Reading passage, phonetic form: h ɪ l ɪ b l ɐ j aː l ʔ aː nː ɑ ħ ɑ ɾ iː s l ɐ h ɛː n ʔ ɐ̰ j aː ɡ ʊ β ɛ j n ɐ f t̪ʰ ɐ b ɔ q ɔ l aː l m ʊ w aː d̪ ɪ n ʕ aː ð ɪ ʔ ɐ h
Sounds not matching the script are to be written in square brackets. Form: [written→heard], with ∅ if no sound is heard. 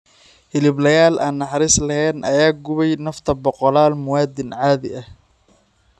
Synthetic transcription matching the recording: h ɪ l ɪ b l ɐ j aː l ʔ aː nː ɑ ħ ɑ ɾ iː s l ɐ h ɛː n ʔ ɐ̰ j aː ɡ ʊ β ɛ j n ɐ f t̪ʰ ɐ b ɔ q ɔ l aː l m ʊ w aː d̪ ɪ n ʕ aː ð ɪ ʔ ɐ h

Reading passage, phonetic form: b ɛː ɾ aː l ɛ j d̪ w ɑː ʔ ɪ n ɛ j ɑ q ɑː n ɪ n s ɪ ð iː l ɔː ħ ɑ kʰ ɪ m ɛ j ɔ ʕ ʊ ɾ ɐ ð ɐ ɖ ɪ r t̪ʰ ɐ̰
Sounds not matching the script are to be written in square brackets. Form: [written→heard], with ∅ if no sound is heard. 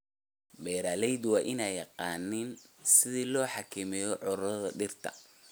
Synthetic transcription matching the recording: b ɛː ɾ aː l ɛ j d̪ w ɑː ʔ ɪ n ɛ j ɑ q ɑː n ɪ n s ɪ ð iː l ɔː ħ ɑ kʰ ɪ m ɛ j ɔ ʕ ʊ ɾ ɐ ð ɐ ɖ ɪ r t̪ʰ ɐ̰

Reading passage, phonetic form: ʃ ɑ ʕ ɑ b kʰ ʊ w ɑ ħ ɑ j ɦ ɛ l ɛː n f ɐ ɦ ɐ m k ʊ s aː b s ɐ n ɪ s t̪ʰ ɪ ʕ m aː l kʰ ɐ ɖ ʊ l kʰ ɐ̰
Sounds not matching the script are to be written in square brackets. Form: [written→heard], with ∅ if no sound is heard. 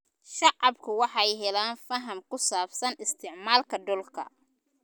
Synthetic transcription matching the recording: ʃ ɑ ʕ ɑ b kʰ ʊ w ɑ ħ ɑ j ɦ ɛ l [ɛː→aː] n f ɐ ɦ ɐ m k ʊ s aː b s ɐ n ɪ s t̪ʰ ɪ ʕ m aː l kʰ ɐ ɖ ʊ l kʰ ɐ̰

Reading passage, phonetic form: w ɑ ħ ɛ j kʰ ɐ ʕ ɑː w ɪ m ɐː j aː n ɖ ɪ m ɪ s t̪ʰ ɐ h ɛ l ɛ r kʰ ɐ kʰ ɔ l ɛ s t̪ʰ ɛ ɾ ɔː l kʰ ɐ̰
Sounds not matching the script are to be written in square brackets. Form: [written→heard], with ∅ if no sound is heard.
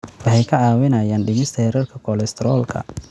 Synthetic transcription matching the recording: w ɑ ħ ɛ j kʰ ɐ ʕ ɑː w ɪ [m→n] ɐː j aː n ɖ ɪ m ɪ s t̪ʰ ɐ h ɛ [l→ɾ] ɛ r kʰ ɐ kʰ ɔ l ɛ s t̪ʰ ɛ ɾ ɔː l kʰ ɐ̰

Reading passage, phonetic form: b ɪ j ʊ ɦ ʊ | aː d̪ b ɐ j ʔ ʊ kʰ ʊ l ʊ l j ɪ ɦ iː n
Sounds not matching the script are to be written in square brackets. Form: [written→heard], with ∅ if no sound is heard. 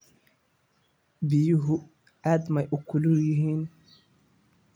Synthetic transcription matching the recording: b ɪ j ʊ ɦ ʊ | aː d̪ [b→m] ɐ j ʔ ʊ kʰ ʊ l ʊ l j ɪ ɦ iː n

